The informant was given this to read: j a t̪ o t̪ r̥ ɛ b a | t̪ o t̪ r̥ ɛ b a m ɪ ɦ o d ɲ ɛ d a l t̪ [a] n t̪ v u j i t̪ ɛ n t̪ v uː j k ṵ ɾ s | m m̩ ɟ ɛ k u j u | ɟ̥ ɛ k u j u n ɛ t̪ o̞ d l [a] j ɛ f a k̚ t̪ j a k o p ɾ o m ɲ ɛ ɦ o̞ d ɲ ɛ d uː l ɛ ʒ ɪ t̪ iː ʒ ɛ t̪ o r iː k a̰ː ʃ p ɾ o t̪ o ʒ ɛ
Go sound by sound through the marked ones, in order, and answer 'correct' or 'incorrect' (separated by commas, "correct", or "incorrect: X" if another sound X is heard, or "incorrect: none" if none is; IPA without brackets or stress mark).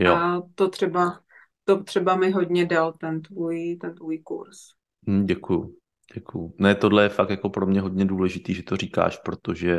incorrect: ɛ, incorrect: ɛ